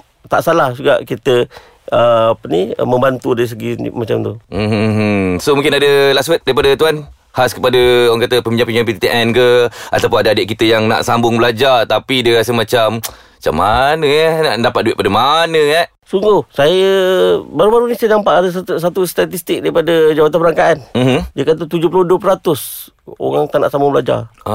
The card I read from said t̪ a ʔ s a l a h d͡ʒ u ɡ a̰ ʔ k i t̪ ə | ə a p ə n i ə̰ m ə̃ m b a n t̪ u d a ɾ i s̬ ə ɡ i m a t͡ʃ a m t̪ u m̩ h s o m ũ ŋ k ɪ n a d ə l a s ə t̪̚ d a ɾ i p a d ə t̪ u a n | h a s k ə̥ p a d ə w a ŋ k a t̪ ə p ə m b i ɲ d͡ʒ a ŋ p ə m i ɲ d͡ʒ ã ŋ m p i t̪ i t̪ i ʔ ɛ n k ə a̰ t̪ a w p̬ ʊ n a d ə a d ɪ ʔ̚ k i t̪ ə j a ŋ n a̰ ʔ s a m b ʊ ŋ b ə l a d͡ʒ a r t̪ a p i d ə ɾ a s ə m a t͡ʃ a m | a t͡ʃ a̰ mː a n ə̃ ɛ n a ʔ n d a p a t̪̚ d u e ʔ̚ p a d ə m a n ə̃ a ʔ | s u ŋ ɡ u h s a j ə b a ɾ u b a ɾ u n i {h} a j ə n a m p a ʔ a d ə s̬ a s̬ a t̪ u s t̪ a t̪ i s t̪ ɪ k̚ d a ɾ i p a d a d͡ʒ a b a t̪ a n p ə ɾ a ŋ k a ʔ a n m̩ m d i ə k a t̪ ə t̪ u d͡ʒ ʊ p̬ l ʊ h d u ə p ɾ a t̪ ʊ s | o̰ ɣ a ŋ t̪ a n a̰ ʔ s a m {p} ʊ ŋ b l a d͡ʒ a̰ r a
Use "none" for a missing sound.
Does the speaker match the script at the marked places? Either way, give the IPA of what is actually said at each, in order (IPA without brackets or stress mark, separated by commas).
s, b